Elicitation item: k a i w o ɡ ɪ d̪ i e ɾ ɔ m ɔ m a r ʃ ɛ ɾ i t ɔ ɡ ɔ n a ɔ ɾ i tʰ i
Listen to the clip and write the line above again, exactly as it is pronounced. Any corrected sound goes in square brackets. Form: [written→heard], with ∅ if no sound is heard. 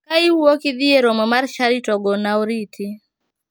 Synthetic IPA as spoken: k a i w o [ɡ→k] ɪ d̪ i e ɾ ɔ m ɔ m a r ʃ [ɛ→a] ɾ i t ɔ ɡ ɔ n a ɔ ɾ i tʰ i